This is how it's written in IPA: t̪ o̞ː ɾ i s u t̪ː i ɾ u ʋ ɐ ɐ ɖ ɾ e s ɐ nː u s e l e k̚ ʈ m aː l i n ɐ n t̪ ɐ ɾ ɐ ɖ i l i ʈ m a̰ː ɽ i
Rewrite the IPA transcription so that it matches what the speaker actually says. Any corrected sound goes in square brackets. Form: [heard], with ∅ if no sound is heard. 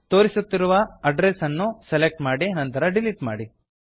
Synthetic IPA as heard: t̪ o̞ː ɾ i s u t̪ː i ɾ u ʋ ɐ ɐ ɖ ɾ e s ɐ nː u s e l e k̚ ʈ m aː [ɽ] i n ɐ n t̪ ɐ ɾ ɐ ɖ i l i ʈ m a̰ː ɽ i